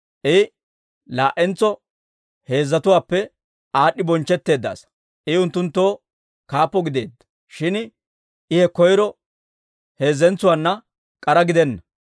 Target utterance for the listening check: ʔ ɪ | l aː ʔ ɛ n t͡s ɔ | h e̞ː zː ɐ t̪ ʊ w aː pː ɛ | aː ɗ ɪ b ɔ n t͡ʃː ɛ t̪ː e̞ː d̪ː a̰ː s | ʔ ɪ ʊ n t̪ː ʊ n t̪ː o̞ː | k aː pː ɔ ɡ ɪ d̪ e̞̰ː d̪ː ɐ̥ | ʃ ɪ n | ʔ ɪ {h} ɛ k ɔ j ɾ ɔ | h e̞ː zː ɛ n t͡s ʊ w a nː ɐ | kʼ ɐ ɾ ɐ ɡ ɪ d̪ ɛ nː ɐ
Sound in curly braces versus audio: correct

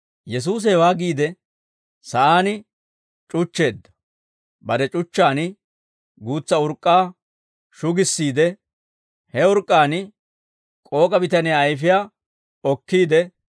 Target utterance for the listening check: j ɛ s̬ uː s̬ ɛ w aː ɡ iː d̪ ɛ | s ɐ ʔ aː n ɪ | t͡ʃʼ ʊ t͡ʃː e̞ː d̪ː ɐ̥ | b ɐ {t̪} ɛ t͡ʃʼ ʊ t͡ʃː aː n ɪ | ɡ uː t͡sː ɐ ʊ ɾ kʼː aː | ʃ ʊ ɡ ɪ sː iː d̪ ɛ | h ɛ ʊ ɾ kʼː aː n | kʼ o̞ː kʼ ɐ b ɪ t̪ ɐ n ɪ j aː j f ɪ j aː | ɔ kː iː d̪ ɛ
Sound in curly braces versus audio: incorrect: d̪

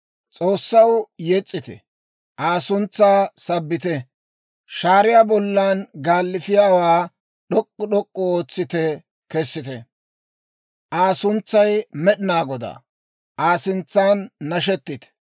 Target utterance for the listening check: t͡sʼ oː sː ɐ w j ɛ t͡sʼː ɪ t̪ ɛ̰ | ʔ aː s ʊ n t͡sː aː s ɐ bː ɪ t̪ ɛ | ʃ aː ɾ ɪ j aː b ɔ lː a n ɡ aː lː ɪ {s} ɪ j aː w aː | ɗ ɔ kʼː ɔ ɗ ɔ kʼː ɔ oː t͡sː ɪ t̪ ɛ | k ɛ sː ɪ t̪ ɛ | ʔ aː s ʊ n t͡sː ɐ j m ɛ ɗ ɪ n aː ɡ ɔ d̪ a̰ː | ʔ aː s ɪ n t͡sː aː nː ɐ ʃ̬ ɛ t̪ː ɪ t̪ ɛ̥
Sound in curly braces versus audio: incorrect: f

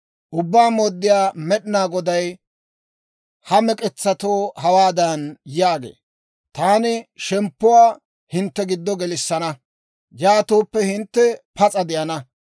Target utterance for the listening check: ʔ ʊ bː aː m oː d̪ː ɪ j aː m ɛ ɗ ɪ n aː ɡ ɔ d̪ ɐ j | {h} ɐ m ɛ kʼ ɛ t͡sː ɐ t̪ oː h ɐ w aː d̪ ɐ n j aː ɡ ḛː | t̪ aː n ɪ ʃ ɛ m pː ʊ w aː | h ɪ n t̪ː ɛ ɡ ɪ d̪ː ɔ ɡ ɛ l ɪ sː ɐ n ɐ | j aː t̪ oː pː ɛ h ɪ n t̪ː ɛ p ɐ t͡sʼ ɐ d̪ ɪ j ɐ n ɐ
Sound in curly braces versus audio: correct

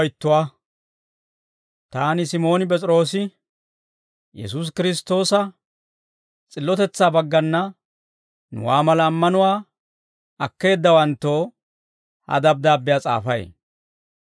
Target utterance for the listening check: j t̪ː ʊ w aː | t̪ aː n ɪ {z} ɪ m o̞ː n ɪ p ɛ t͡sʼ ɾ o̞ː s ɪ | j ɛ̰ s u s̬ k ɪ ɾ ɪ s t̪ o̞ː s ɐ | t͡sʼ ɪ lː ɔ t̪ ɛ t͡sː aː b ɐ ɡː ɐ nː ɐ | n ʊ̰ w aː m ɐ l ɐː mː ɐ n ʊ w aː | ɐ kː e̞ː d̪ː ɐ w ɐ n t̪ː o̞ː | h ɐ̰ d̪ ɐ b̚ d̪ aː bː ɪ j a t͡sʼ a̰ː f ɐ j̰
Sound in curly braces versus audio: incorrect: s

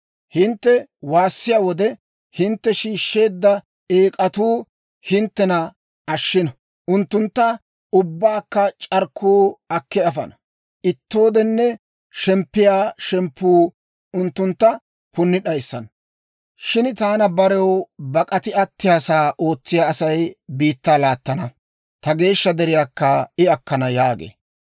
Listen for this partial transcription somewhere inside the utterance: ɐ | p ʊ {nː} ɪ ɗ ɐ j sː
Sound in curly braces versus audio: correct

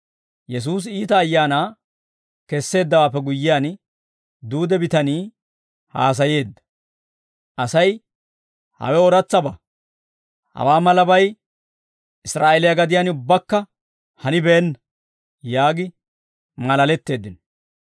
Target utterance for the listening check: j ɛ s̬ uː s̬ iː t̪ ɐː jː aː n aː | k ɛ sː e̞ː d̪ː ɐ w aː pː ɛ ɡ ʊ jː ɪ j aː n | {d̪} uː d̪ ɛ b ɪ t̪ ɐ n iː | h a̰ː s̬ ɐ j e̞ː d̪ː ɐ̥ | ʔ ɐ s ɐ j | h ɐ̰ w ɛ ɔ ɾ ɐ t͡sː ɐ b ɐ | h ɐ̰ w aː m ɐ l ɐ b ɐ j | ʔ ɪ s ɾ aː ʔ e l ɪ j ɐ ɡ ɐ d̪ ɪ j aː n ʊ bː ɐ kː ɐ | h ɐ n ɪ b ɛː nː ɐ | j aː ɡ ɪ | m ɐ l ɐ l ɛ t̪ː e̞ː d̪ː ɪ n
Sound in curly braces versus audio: correct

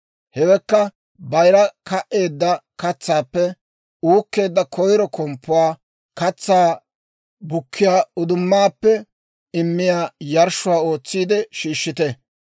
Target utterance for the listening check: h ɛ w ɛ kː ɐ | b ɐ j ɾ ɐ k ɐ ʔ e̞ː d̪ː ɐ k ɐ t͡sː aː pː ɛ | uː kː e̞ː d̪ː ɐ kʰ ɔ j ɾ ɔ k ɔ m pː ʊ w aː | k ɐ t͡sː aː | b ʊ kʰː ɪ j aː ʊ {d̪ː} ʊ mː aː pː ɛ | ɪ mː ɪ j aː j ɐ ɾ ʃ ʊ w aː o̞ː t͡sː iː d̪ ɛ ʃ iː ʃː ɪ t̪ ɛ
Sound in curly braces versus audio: incorrect: d̪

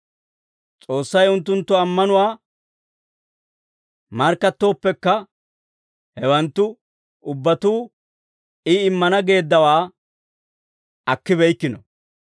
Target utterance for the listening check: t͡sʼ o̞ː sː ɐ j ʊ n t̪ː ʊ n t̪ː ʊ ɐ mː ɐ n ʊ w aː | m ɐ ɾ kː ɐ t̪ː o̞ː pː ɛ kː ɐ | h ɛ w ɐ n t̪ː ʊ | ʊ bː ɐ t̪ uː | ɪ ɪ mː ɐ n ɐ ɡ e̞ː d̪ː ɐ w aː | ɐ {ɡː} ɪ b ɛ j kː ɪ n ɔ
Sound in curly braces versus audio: incorrect: kː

